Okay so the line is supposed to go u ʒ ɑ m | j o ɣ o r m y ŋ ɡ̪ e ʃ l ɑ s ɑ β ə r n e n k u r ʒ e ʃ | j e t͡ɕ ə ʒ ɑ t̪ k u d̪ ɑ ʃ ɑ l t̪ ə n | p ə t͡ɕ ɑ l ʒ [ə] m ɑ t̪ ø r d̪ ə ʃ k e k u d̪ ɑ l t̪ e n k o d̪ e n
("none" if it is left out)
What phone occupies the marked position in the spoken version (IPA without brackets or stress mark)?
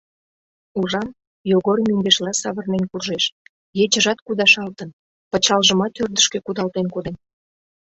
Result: ə